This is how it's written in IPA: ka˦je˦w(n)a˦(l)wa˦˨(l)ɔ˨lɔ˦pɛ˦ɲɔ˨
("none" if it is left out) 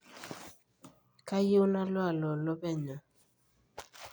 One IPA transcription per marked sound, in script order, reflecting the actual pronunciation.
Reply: n, l, l

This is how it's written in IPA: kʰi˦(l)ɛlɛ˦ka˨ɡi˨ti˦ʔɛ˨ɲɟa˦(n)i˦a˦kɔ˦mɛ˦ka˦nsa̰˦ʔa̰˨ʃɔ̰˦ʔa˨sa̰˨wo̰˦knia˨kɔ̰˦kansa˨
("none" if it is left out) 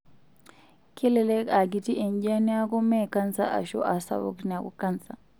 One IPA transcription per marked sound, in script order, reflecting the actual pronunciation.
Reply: l, n

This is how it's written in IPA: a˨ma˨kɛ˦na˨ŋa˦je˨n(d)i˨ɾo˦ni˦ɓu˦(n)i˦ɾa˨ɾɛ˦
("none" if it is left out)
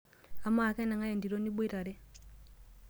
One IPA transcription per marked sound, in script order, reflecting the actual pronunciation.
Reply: d, none

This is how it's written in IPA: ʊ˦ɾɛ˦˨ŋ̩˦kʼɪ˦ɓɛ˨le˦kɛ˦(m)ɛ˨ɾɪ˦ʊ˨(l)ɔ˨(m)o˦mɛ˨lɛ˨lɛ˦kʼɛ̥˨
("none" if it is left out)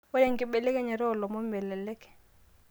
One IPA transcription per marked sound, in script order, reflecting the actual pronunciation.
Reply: ɲ, l, m

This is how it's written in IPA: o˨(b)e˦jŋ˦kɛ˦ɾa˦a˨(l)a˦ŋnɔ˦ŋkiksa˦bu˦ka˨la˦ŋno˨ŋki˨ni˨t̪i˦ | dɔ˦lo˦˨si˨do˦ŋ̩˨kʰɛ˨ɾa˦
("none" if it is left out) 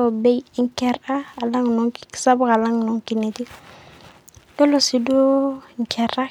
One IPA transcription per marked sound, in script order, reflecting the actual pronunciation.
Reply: b, l

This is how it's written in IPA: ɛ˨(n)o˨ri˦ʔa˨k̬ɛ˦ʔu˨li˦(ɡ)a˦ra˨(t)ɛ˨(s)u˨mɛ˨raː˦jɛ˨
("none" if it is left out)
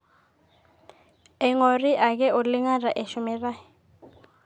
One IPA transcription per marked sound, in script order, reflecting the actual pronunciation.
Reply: ŋ, ŋ, ʔ, ʃ

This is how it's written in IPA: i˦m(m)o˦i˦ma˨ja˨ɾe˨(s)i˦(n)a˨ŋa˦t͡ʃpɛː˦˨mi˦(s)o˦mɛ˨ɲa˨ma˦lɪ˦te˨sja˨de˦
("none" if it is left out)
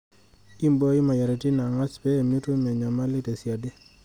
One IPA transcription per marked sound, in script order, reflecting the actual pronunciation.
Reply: b, t, n, t

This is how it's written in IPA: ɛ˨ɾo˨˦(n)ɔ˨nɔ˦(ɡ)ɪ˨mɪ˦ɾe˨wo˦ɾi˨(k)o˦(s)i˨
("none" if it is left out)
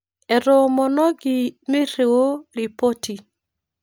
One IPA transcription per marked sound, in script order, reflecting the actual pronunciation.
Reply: m, ɡ, p, t

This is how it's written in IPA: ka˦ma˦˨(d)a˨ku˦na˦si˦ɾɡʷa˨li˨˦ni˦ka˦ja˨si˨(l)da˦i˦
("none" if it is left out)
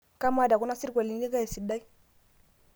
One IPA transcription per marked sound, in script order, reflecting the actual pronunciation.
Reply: d, none

